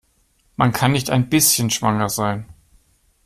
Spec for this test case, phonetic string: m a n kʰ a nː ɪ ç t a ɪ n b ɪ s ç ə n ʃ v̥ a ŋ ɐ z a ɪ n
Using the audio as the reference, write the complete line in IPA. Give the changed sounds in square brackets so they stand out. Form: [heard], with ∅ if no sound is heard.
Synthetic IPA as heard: m a n kʰ a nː ɪ ç t a ɪ n b ɪ s ç ə n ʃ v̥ a ŋ ɐ z a ɪ n